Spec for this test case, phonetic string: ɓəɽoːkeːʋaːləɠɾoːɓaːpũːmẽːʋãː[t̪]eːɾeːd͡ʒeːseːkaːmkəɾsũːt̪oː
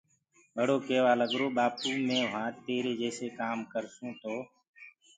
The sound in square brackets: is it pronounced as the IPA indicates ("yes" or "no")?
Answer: yes